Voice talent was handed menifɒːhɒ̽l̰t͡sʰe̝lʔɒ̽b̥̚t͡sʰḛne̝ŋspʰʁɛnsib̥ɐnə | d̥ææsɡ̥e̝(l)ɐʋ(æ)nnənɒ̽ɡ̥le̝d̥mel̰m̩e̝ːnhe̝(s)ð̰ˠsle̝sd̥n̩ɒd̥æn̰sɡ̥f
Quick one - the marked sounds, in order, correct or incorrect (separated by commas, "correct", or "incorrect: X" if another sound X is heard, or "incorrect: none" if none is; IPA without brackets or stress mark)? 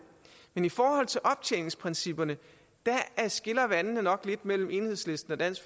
correct, correct, incorrect: none